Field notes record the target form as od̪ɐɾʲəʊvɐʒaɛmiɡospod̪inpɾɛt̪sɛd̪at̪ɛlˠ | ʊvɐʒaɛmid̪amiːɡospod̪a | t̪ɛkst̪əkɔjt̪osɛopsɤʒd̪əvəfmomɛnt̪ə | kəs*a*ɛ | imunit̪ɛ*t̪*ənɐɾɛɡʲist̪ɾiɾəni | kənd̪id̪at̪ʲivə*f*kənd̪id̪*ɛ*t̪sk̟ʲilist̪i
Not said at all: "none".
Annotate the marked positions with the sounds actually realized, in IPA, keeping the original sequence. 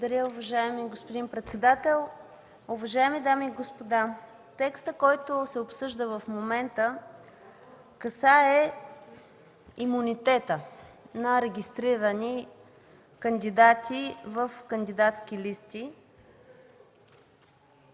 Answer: a, t̪, f, a

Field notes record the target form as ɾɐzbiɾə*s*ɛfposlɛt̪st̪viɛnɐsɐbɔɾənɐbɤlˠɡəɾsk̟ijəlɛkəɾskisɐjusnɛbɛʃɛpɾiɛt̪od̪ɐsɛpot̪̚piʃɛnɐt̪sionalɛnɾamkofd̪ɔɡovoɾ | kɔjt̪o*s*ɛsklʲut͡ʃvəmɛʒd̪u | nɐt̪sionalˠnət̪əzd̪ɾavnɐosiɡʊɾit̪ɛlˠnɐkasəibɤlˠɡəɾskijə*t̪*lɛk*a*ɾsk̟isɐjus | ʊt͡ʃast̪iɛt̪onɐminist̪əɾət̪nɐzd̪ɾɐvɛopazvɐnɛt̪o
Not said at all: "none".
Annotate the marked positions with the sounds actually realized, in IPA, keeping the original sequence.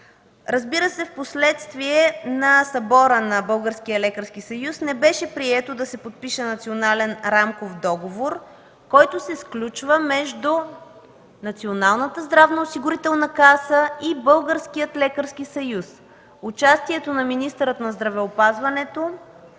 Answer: s, s, t̪, ə

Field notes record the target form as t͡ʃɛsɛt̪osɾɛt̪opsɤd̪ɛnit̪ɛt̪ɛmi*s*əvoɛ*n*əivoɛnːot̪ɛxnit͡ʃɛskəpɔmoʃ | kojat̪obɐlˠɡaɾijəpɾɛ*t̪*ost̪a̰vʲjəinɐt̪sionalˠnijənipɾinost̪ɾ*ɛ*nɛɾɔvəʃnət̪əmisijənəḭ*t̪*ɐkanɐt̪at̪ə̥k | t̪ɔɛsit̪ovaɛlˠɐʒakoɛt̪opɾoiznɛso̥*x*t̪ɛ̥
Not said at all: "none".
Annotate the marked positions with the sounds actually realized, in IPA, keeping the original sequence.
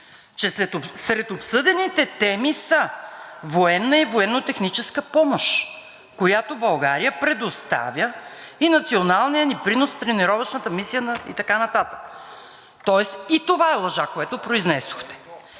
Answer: s, nː, d̪, ɛ, t̪, x

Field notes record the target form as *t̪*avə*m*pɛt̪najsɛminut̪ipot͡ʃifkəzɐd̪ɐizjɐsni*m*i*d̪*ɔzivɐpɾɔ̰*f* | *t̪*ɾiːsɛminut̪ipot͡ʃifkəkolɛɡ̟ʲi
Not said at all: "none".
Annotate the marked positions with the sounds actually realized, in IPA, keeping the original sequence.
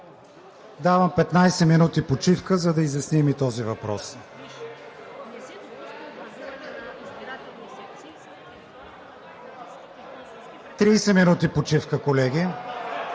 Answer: d̪, m, m, t̪, s, t̪

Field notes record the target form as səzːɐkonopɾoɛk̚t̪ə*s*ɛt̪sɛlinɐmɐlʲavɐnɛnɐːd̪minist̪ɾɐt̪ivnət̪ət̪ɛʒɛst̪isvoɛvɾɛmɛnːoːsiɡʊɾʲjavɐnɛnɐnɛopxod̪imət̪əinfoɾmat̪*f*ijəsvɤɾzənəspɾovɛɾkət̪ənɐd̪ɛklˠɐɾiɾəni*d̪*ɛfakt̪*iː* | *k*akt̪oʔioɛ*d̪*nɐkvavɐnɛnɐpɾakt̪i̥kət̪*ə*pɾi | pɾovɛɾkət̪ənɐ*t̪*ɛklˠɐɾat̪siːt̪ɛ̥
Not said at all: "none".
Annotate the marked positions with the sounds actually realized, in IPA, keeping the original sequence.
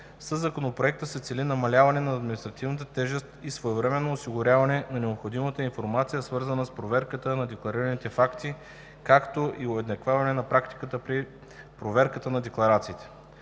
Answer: s, s, t̪, i, k, d̪, ə, d̪

